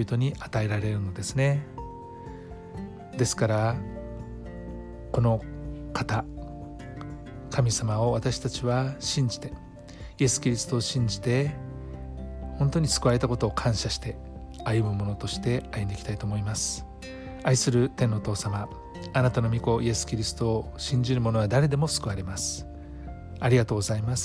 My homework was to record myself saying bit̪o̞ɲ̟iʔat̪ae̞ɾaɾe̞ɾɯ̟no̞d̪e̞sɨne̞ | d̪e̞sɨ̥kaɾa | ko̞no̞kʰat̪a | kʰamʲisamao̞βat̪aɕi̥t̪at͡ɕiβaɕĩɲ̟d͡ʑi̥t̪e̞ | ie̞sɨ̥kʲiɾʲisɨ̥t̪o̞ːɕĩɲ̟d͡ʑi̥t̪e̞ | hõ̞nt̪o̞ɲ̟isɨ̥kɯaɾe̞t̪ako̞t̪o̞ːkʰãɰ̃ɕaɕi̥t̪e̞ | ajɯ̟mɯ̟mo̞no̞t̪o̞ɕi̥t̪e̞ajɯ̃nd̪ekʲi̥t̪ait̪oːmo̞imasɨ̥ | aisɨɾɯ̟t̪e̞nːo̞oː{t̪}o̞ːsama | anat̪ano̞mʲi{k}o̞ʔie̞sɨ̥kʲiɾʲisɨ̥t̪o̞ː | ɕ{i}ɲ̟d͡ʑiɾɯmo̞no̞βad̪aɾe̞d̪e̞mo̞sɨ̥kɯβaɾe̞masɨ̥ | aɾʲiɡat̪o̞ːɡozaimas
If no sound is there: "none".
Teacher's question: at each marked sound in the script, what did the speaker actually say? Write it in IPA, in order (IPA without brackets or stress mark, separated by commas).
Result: t̪, k, ĩ